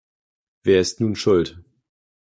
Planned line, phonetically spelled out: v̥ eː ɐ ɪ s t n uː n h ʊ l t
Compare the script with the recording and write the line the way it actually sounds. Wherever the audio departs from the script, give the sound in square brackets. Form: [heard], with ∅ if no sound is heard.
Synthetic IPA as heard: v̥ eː ɐ ɪ s t n uː n [ʃ] ʊ l t